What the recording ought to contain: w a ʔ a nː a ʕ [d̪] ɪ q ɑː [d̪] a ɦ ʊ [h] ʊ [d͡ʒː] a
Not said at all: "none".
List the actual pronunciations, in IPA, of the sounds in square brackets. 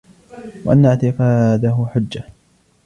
t̪, d̪, ħ, d͡ʒː

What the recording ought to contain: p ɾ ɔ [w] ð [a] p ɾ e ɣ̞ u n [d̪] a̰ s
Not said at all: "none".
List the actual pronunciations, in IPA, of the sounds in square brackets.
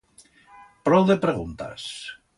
w, e, t̪

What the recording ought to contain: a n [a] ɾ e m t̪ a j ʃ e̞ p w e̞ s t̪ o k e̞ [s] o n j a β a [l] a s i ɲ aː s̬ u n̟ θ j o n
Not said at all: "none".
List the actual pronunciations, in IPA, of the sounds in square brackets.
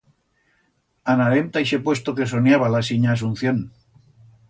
a, s, l

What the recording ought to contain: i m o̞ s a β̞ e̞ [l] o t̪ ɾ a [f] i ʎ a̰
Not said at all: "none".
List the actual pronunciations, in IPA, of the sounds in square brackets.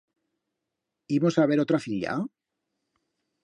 ɾ, f

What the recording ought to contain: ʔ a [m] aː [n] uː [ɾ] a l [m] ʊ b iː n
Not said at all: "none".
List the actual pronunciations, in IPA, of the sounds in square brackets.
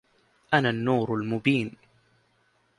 n, nː, ɾ, m

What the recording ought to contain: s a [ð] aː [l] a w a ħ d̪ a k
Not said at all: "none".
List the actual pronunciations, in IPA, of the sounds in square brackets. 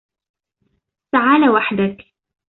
ʕ, l

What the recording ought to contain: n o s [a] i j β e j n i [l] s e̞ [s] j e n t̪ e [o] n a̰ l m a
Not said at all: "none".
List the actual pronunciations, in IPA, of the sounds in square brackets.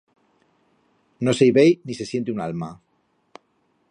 e, none, s, u

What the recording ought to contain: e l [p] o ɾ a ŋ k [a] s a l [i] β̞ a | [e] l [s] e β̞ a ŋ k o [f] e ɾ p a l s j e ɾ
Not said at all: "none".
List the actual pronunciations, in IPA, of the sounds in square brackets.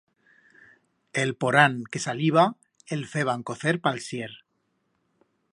p, e, i, e, f, θ

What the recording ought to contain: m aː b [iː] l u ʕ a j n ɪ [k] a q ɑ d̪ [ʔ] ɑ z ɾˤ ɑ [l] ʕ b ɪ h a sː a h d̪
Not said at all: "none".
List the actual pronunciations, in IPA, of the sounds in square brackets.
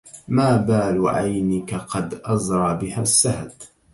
aː, k, ʔ, none

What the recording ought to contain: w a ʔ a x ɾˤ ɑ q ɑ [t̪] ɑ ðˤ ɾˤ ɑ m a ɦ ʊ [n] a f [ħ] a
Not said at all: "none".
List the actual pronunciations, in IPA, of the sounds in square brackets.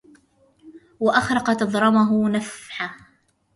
t̪, n, ħ

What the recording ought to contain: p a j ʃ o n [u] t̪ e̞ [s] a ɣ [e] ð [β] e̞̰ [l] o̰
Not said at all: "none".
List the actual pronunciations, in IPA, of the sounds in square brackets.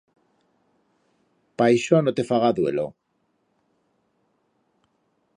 o, f, a, w, l

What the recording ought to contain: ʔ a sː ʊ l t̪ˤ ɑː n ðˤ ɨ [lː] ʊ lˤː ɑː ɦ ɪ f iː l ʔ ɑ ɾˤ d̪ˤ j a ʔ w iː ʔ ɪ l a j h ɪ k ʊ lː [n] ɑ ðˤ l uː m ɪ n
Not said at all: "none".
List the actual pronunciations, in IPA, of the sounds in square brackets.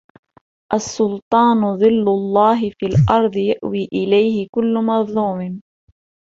lː, m

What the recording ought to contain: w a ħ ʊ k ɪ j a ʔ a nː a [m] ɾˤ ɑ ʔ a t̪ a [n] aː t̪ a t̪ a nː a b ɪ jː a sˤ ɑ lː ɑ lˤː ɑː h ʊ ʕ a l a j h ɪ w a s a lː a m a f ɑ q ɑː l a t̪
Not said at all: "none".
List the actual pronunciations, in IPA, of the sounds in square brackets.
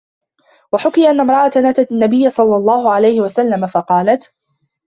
m, n

